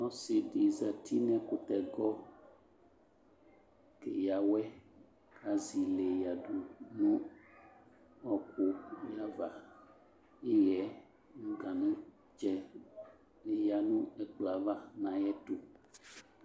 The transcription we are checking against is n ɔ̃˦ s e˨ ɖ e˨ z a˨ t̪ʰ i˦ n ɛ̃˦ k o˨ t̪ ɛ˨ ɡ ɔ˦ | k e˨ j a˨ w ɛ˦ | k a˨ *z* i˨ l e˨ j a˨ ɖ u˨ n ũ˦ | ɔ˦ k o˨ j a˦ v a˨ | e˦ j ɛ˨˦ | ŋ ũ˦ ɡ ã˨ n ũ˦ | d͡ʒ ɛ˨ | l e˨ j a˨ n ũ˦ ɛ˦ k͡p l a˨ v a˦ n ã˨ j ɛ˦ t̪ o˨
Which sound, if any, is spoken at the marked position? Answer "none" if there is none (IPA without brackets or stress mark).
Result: z